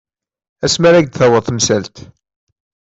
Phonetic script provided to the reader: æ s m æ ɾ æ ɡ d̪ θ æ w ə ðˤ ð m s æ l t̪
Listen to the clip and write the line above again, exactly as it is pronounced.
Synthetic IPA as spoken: æ s m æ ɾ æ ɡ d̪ θ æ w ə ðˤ θ m s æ l t̪